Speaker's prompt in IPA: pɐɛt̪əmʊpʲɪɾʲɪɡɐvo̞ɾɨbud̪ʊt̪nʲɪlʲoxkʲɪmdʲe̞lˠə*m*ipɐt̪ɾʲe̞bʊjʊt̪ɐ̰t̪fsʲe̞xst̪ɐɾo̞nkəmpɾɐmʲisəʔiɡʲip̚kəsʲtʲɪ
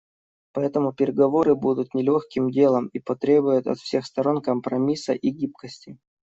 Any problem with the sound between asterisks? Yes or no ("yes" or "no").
no